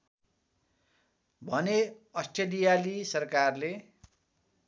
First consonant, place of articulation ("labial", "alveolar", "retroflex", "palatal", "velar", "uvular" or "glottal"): labial